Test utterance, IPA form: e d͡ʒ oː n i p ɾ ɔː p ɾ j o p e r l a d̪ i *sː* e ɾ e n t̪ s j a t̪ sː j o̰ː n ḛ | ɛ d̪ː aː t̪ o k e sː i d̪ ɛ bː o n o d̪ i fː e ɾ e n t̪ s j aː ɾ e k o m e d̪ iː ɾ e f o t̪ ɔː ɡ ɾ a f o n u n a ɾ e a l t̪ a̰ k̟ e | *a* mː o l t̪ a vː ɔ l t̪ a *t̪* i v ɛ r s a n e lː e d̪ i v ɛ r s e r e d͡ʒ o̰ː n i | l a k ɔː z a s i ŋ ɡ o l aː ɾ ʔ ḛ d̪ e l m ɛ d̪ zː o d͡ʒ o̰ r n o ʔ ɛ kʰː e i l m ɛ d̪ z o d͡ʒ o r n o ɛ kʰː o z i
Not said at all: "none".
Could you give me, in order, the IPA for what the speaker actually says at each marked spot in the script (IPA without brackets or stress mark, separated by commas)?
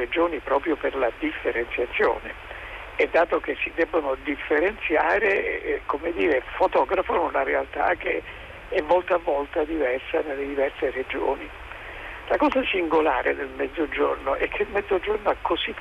fː, ɛ, d̪